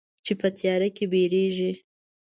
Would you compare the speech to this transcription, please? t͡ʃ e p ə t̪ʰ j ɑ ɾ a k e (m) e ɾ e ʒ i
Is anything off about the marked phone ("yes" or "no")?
yes